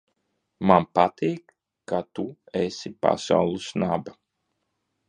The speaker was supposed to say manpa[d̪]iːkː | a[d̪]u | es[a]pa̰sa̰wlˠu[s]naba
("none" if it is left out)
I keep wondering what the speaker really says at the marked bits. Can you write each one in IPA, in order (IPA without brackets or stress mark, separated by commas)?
t̪, t̪, i, s